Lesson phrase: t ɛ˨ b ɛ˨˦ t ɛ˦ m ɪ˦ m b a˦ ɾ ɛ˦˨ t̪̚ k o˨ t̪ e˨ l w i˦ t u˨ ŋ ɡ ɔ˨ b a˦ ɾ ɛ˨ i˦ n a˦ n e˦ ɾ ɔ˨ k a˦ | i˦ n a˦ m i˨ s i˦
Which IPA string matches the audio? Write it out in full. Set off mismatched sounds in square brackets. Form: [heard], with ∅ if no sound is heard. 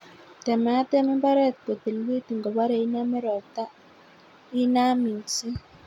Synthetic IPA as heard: t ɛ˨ [m] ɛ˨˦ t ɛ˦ m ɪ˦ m b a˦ ɾ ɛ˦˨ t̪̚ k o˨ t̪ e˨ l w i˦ t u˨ ŋ ɡ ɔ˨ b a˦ ɾ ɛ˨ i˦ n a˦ [m] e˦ ɾ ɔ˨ [t] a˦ | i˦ n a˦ m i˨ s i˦